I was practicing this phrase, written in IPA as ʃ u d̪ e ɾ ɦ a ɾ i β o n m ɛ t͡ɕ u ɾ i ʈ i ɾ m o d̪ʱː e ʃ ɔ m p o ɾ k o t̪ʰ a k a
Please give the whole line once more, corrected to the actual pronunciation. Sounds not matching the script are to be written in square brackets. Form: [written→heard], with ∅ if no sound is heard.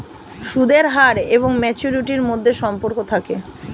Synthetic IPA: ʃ u d̪ e ɾ ɦ a ɾ [i→e] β o [n→ŋ] m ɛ t͡ɕ u ɾ i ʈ i ɾ m o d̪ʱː e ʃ ɔ m p o ɾ k o t̪ʰ a k [a→e]